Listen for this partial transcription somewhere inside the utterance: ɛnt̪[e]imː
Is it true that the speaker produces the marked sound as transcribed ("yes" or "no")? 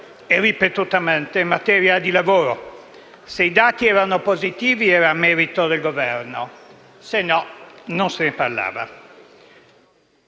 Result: yes